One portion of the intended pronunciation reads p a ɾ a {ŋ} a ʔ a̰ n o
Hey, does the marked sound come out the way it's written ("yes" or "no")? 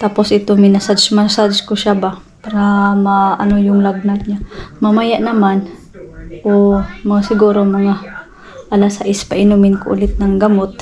no